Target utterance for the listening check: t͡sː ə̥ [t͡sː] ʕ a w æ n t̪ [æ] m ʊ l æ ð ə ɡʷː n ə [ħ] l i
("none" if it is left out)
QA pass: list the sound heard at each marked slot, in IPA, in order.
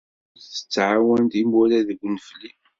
t͡sː, i, f

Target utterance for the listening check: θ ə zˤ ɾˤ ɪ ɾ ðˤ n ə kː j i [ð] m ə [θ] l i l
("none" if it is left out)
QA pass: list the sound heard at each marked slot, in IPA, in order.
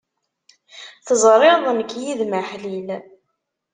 ð, ħ

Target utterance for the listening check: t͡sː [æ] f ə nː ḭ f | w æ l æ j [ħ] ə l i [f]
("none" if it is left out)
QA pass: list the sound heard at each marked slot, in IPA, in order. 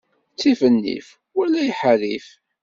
i, ħ, f

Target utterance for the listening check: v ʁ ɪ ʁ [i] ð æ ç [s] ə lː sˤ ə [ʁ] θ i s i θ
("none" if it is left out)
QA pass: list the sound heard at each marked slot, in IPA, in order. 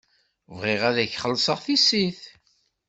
æ, χ, ʁ

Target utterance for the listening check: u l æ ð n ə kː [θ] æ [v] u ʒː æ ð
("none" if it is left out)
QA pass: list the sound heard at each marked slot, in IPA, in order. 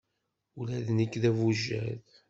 ð, v

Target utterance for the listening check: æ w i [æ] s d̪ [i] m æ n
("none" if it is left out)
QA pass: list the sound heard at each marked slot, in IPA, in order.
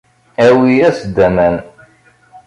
æ, æ

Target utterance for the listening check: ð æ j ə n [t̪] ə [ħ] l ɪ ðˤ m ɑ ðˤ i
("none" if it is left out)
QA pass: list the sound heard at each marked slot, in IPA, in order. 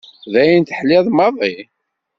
t̪, ħ

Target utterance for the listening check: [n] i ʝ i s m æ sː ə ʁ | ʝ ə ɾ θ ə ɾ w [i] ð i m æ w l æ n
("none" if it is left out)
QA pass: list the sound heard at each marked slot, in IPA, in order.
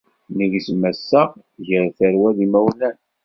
n, æ

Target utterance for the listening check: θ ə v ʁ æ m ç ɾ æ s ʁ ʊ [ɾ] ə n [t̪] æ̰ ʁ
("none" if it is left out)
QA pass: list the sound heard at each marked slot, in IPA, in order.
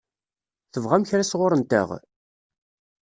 ɾ, t̪

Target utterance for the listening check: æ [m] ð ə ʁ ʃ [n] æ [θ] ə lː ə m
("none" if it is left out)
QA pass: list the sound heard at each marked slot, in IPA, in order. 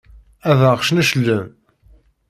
none, n, ʃ

